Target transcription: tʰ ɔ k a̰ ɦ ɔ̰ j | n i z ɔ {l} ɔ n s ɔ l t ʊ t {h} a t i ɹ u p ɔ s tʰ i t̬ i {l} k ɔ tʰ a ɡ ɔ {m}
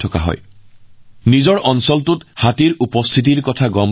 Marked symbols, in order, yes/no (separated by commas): no, yes, no, yes